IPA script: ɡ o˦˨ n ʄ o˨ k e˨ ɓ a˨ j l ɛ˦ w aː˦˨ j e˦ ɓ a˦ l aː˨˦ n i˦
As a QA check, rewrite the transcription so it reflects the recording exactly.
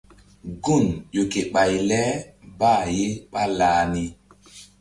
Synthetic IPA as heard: ɡ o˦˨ n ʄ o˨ k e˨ ɓ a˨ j l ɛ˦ b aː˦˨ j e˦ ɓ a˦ l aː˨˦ n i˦